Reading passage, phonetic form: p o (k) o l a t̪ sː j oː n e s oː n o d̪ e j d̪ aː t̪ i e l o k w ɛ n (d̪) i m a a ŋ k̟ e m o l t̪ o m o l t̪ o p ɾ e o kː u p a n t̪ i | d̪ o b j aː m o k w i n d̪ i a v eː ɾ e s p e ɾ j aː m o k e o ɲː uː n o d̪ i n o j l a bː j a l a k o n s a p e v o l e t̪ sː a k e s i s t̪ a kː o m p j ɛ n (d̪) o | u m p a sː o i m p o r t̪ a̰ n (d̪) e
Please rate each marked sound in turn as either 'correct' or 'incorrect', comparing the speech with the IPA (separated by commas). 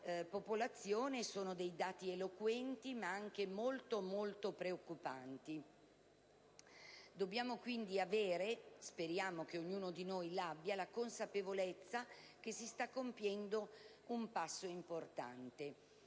incorrect, incorrect, correct, incorrect